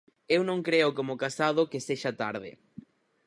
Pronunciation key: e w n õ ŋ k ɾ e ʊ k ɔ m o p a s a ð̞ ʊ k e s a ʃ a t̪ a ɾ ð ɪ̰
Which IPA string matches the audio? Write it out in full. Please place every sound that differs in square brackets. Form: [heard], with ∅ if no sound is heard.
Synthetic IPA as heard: e w n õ ŋ k ɾ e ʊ k [o] m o [k] a s a ð̞ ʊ k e s [e] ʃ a t̪ a ɾ ð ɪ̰